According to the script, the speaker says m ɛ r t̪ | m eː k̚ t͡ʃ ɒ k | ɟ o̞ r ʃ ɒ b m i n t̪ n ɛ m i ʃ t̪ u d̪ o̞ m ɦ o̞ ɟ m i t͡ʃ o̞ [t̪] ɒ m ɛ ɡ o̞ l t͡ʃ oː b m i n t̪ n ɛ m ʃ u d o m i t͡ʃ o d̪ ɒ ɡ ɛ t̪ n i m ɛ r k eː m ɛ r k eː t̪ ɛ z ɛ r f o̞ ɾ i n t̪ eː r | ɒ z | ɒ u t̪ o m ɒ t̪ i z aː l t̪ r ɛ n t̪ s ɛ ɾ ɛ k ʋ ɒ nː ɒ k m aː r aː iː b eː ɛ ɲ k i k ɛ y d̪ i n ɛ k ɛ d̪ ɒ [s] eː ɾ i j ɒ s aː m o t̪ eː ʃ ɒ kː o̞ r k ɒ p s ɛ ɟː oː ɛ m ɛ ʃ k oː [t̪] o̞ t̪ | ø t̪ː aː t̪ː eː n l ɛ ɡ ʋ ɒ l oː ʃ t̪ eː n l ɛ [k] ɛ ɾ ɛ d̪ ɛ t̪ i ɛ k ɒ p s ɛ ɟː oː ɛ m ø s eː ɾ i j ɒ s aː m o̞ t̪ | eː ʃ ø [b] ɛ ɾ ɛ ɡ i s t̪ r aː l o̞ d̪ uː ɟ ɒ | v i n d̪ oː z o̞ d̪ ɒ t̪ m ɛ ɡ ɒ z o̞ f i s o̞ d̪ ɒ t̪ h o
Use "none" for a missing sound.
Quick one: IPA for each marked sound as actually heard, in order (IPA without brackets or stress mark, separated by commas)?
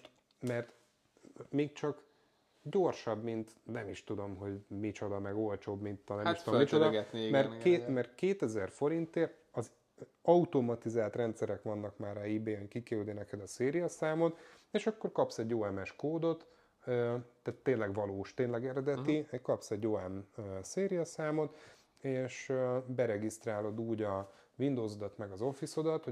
d̪, s, d̪, ɡ, b